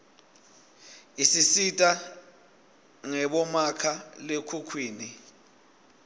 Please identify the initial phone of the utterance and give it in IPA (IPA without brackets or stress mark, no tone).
i